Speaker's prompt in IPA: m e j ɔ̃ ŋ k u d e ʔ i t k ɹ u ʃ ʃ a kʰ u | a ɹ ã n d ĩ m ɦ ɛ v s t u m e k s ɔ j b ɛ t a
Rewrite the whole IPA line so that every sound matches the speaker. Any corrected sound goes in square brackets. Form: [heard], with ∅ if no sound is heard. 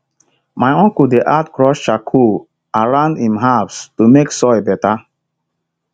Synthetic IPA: m [a] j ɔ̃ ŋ k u d e ʔ [a] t k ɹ [ɔ] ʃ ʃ a kʰ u | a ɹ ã n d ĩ m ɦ [a] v s t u m e k s ɔ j b ɛ t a